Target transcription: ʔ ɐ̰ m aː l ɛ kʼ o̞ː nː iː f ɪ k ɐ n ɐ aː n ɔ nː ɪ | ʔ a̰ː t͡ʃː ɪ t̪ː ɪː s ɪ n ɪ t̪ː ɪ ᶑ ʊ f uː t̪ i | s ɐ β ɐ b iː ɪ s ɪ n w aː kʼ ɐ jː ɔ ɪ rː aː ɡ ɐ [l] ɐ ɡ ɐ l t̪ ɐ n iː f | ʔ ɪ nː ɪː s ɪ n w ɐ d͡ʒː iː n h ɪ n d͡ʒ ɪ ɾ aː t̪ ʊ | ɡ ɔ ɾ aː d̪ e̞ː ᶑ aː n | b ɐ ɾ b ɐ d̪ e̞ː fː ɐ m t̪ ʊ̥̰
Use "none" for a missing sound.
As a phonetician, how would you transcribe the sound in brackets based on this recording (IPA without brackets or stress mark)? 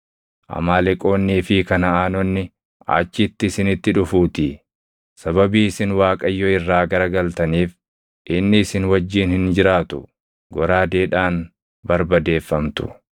ɾ